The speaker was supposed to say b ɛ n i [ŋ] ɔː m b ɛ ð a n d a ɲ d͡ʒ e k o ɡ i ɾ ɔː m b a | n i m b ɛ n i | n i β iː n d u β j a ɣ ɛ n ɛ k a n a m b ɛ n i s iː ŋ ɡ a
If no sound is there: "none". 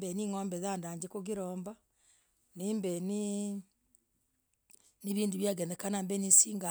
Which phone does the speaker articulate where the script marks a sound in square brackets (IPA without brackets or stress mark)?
ŋ